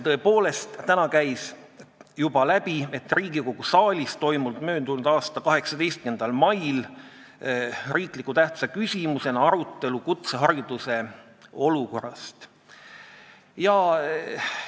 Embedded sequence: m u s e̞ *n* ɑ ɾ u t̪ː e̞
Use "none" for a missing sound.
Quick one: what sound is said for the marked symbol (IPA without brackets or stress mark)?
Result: n